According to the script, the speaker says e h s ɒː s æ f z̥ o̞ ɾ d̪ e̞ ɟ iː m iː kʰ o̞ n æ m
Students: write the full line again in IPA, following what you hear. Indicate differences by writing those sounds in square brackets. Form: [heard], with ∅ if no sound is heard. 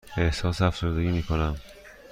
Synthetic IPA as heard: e h s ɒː s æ f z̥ o̞ ɾ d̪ e̞ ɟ iː m iː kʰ o̞ n æ m